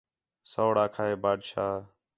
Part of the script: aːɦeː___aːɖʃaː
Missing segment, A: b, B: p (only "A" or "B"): A